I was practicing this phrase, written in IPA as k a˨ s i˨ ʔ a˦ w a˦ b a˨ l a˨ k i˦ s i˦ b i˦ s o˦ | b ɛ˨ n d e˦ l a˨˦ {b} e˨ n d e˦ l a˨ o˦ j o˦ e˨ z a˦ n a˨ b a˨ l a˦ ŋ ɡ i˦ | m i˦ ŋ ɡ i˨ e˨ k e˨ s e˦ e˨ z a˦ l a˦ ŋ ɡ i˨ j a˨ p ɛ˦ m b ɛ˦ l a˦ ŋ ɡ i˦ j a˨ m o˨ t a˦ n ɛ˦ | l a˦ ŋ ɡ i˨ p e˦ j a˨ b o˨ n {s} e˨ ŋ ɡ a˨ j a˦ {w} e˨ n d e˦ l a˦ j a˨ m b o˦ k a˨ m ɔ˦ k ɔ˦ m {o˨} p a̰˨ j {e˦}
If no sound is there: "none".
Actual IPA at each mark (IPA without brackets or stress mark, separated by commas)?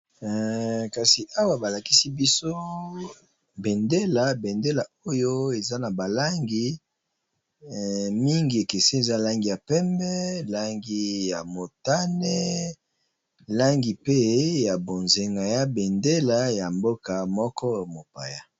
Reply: b, z, b, o˨, a˦